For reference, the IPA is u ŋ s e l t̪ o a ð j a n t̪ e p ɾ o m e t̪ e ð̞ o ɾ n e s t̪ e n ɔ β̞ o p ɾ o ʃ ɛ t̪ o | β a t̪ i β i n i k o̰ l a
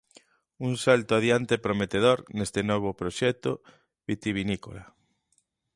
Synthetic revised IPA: u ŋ s a l t̪ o a ð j a n t̪ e p ɾ o m e t̪ e ð̞ o ɾ n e s t̪ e n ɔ β̞ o p ɾ o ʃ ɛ t̪ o | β i t̪ i β i n i k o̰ l a